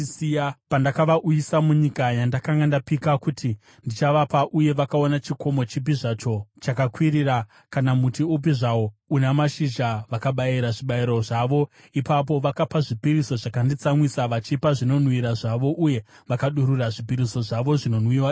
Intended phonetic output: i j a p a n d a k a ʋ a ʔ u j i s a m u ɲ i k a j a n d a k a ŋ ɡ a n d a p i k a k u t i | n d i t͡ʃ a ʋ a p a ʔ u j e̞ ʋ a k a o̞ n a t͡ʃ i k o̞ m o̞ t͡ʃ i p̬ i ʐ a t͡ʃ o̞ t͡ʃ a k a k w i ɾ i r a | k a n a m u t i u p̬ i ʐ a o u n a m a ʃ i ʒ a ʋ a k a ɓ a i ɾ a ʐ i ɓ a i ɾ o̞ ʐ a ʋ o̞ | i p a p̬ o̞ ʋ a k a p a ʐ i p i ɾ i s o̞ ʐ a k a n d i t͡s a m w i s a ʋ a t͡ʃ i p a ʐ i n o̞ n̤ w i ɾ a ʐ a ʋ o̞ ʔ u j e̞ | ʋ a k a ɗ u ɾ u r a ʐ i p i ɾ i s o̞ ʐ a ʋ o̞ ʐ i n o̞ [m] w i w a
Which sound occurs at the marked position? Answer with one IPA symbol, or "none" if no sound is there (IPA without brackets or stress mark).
n